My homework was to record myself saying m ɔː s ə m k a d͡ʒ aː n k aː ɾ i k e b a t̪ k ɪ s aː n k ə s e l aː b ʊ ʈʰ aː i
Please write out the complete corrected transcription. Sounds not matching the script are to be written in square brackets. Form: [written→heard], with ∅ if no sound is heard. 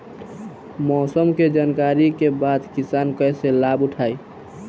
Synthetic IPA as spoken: m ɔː s ə m k [a→e] d͡ʒ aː n k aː ɾ i k e b a [t̪→d̪] k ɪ s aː n k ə s e l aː b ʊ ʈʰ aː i